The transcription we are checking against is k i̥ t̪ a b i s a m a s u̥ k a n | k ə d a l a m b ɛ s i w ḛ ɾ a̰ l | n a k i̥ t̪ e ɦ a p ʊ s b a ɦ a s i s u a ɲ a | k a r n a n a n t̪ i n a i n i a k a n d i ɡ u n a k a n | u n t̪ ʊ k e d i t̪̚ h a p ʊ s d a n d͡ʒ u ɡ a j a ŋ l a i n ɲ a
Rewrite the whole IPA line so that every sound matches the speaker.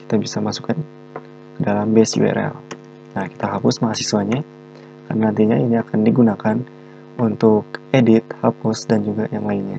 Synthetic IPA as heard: k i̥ t̪ a b i s a m a s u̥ k a n | k ə d a l a m b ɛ s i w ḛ ɾ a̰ l | n a k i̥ t̪ a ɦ a p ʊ s m a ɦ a s i s u a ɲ a | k a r n a n a n t̪ i ɲ a i n i a k a n d i ɡ u n a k a n | u n t̪ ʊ k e d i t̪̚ h a p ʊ s d a n d͡ʒ u ɡ a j a ŋ l a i n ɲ a